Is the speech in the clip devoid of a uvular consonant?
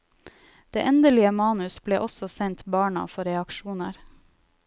yes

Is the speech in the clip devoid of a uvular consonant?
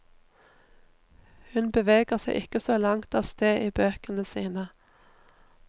no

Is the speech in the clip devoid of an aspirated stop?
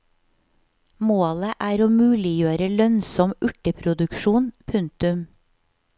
no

